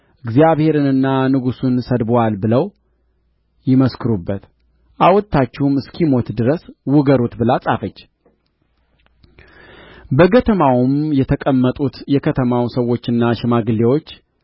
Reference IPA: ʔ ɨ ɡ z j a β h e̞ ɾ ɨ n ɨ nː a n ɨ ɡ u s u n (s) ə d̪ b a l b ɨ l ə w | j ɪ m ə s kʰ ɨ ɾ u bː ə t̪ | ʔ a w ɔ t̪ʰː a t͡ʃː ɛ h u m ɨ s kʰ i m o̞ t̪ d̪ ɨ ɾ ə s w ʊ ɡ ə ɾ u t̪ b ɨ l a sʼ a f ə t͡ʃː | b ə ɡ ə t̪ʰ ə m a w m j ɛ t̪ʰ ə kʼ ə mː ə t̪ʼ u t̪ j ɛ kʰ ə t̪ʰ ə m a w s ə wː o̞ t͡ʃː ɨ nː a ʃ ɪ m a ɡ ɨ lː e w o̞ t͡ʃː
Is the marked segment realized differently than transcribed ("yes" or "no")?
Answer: no